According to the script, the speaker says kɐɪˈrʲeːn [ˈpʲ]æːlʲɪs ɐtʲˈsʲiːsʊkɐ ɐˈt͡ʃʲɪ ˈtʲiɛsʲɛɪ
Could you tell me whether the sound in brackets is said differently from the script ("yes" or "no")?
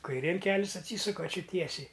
yes